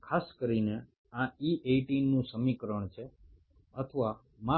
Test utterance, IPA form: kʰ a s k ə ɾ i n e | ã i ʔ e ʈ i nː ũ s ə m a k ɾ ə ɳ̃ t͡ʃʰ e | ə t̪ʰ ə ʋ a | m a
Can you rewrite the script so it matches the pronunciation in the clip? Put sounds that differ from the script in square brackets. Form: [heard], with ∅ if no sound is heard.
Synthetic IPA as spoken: kʰ a s k ə ɾ i n e | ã i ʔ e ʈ i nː ũ s ə m [i] k ɾ ə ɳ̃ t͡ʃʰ e | ə t̪ʰ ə ʋ a | m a